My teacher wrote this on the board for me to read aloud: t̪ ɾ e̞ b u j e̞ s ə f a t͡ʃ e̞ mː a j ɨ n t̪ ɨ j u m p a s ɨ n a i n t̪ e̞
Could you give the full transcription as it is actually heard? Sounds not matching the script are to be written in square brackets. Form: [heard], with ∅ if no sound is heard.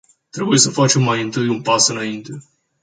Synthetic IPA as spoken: t̪ ɾ e̞ b u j e̞ s ə f a t͡ʃ e̞ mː a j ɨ n t̪ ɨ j u [n] p a s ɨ n a i n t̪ e̞